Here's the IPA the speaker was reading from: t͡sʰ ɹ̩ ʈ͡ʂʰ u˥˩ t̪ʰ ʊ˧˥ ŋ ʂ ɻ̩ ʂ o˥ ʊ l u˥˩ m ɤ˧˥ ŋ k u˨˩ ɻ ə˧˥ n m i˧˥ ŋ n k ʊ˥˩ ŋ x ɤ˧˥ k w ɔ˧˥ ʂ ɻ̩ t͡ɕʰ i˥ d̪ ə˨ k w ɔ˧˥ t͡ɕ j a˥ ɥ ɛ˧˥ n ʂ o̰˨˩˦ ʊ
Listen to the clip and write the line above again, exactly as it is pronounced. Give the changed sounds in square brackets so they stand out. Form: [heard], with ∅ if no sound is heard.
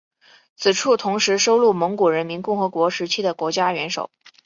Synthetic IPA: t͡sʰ ɹ̩ ʈ͡ʂʰ u˥˩ t̪ʰ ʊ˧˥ ŋ ʂ ɻ̩ ʂ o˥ ʊ l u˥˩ m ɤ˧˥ ŋ k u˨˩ ɻ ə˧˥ n m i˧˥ [∅] n k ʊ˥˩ ŋ x ɤ˧˥ k w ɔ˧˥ ʂ ɻ̩ t͡ɕʰ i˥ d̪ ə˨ k w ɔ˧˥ t͡ɕ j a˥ ɥ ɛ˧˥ n ʂ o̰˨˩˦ ʊ